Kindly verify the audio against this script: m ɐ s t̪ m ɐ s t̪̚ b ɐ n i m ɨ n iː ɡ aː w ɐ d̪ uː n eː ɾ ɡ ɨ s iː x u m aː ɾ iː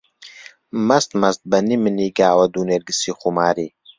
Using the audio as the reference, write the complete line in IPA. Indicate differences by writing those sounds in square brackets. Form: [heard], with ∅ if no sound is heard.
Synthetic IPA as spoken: m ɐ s t̪ m ɐ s t̪̚ b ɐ n i m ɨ n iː ɡ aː w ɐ d̪ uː n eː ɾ ɡ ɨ s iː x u m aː ɾ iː